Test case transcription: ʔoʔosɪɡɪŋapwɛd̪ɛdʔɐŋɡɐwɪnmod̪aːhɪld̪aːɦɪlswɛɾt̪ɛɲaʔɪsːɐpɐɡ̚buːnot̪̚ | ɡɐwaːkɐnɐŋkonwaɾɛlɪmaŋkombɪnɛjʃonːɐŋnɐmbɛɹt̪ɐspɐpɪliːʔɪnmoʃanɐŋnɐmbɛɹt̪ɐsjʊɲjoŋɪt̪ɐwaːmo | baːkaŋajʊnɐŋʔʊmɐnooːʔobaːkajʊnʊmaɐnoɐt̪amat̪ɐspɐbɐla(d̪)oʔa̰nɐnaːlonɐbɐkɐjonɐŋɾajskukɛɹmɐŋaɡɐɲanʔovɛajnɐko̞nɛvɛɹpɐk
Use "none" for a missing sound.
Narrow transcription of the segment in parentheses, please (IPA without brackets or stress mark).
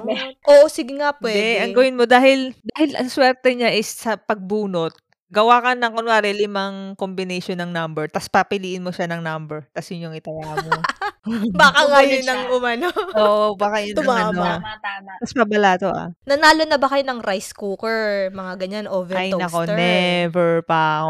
t̪